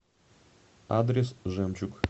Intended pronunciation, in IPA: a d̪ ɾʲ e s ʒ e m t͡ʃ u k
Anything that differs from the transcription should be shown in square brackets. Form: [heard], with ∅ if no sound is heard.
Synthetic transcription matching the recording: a d̪ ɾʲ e s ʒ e m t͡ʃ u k